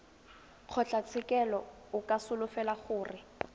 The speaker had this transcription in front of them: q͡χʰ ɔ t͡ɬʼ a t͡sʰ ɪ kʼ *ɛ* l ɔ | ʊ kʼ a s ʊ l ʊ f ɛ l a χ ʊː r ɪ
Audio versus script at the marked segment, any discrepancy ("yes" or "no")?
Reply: no